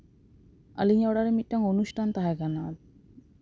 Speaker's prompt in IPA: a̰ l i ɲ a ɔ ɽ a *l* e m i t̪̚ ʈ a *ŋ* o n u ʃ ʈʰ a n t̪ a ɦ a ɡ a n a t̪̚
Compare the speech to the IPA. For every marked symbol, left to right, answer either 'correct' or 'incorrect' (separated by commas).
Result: incorrect, correct